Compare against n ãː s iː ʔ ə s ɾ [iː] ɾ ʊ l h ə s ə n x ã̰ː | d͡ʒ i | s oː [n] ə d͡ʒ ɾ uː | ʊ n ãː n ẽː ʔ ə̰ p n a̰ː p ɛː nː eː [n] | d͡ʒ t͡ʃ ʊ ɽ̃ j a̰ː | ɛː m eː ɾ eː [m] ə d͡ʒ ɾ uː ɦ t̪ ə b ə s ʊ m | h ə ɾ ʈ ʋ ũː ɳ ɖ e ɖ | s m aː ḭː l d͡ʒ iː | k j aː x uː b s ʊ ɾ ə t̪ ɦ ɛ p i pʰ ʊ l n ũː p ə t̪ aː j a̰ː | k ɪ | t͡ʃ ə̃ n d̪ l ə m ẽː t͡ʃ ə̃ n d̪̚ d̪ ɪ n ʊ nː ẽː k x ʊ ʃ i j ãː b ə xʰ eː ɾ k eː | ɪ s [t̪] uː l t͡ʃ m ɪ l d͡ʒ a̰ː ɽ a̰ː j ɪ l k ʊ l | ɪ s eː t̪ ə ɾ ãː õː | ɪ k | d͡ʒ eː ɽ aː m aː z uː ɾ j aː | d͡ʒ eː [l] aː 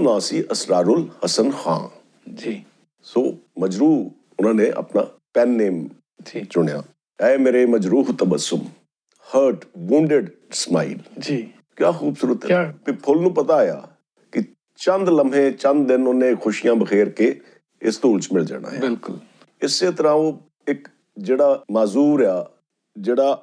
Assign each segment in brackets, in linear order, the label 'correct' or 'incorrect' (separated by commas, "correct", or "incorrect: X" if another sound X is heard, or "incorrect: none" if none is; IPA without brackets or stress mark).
incorrect: aː, incorrect: m, incorrect: m, correct, correct, incorrect: ɽ